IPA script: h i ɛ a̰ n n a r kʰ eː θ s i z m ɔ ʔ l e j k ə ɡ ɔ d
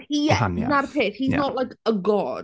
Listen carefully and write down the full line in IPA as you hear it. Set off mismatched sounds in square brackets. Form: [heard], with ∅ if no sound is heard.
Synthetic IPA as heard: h i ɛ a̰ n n a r [pʰ] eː θ [h] i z [n] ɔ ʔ l [a] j k ə ɡ ɔ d